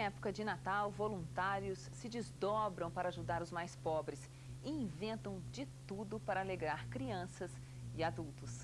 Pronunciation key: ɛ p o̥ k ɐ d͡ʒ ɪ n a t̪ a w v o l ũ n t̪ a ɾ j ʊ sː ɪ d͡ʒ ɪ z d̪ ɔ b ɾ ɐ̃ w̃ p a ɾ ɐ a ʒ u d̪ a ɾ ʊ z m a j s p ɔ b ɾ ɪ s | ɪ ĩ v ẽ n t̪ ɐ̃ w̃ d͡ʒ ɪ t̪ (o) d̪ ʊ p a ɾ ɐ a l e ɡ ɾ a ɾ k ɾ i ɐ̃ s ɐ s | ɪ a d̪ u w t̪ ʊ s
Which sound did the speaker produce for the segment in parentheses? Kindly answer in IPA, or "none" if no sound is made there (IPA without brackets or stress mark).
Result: u